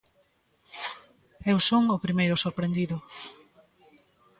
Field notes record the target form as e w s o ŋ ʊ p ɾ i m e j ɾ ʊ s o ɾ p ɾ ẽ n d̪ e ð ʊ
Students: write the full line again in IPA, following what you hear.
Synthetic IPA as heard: e w s o ŋ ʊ p ɾ i m e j ɾ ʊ s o ɾ p ɾ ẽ n d̪ i ð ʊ